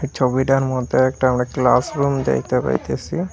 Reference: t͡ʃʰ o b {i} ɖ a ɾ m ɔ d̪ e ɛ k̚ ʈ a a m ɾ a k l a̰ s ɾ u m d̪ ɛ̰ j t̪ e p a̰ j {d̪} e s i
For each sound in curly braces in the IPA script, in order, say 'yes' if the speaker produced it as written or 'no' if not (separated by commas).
yes, no